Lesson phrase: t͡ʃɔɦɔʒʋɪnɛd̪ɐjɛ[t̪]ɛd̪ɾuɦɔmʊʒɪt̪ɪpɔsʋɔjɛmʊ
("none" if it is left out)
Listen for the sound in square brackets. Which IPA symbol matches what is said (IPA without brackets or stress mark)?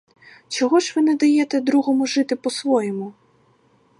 t̪